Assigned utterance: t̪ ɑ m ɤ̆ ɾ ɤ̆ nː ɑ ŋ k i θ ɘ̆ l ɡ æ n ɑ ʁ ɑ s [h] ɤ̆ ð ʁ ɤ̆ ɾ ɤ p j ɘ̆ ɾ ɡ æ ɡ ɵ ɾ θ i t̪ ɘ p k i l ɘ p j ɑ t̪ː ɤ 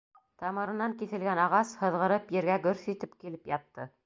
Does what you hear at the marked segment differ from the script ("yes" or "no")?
no